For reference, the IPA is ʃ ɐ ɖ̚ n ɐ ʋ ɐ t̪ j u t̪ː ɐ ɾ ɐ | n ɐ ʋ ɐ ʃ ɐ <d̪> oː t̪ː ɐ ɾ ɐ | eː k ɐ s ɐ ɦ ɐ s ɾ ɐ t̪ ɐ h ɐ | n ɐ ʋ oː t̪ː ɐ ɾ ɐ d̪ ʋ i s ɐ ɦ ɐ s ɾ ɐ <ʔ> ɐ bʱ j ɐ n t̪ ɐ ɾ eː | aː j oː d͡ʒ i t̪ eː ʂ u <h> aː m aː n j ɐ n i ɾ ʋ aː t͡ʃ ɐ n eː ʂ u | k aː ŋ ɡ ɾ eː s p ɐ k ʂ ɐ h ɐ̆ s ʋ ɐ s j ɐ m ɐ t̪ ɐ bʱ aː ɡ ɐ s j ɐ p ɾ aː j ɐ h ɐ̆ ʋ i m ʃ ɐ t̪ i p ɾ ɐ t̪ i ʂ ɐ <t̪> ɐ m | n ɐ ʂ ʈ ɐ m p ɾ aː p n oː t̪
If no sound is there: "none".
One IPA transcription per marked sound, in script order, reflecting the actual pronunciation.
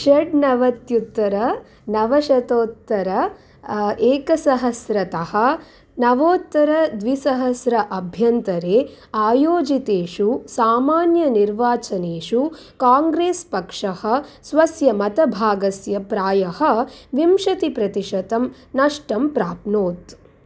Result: t̪, ʔ, s, t̪

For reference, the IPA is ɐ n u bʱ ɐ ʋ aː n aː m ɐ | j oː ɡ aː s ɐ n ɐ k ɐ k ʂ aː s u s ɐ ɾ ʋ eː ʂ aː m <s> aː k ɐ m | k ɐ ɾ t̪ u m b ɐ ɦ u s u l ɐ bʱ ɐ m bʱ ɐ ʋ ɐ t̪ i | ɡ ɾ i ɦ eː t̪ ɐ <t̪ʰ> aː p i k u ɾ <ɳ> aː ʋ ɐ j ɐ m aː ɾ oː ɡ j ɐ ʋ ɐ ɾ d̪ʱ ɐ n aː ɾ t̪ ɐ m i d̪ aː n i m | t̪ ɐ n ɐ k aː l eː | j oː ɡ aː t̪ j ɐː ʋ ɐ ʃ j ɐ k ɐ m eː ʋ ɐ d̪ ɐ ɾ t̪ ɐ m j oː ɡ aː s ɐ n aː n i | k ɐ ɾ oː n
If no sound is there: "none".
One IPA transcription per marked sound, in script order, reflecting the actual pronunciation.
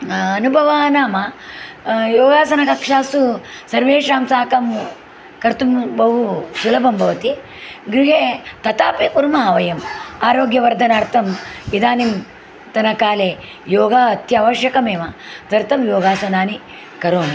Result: s, t̪, m

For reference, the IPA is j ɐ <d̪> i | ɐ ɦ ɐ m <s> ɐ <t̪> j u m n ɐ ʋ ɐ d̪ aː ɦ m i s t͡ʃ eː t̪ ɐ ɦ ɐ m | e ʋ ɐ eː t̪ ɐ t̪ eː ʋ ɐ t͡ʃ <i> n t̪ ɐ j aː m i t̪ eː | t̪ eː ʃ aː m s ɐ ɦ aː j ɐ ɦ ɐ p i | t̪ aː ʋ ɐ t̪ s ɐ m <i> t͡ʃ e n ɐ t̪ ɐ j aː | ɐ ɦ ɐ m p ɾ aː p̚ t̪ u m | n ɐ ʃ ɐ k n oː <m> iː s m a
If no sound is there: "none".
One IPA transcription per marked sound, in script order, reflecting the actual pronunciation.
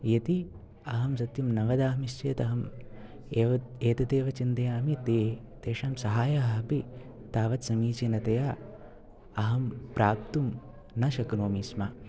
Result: t̪, s, t̪, i, iː, m

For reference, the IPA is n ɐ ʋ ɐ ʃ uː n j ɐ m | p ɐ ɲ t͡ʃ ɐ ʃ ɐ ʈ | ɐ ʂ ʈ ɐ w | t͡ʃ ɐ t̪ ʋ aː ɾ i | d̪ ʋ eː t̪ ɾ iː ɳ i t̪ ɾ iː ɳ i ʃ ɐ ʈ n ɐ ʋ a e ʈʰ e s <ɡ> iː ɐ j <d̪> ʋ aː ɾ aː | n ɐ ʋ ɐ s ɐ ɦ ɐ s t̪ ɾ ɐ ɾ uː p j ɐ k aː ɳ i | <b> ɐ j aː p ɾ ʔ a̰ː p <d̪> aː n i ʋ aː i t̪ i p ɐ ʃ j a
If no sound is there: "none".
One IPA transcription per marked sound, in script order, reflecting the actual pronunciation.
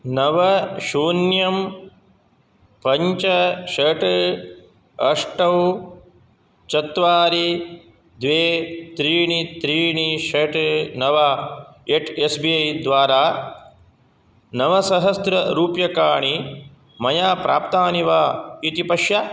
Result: b, d̪, m, t̪

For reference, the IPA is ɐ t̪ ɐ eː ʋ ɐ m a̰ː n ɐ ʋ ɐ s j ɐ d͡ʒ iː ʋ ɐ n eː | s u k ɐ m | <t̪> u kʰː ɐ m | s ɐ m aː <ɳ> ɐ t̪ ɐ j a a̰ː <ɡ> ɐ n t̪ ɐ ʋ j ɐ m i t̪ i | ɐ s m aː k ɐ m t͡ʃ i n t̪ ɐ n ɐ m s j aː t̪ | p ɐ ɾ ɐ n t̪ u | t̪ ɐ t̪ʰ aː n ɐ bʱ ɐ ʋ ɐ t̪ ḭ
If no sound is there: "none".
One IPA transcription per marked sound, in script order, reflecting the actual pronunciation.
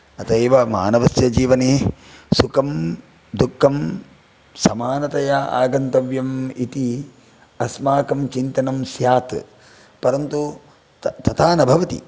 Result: d̪, n, ɡ

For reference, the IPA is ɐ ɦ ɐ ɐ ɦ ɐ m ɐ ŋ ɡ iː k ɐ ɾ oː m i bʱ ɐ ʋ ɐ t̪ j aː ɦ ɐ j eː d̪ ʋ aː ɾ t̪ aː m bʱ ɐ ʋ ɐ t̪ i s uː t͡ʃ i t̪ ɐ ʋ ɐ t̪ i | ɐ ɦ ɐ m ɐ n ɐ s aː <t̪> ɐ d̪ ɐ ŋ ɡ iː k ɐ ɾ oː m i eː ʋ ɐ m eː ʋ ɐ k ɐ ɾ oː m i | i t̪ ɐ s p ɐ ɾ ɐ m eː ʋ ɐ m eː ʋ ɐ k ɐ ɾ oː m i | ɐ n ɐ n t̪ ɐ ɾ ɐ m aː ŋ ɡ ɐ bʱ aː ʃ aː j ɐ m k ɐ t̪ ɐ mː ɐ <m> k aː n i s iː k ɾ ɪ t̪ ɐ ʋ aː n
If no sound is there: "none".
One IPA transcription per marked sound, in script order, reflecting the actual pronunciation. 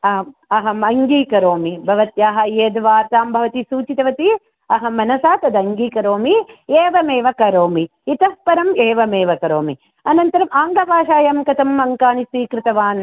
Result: t̪, ŋ

